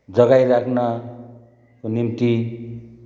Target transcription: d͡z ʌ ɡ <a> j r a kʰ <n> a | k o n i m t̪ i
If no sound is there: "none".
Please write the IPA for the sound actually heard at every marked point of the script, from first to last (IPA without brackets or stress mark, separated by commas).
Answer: a, n